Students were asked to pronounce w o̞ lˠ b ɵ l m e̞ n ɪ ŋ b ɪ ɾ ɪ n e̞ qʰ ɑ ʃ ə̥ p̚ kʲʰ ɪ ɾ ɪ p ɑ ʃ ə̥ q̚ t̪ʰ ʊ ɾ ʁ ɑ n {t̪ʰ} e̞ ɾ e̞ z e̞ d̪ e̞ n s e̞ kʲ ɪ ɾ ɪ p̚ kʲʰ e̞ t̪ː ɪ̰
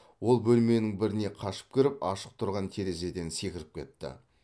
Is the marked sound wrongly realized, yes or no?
no